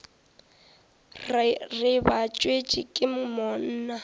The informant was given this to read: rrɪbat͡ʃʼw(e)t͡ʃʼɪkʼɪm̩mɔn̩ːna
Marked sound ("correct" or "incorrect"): correct